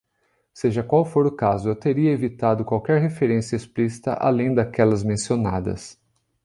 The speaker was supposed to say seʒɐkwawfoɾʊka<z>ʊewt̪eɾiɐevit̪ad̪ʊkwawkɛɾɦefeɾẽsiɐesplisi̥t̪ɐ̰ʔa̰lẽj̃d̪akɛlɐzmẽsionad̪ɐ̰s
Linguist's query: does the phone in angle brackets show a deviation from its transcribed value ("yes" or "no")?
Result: no